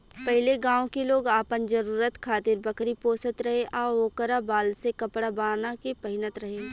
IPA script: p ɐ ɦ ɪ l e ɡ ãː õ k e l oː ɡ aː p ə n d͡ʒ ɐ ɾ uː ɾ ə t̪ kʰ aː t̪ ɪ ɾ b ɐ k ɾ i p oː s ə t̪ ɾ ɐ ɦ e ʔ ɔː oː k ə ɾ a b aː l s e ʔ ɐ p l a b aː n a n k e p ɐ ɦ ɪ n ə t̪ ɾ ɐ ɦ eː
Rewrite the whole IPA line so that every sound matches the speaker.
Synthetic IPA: p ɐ ɦ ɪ l e ɡ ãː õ k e l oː ɡ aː p ə n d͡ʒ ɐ ɾ uː ɾ ə t̪ kʰ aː t̪ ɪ ɾ b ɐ k ɾ i p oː s ə t̪ ɾ ɐ ɦ e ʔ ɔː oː k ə ɾ a b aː l s e k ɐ p ɽ a b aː n a k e p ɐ ɦ ɪ n ə t̪ ɾ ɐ ɦ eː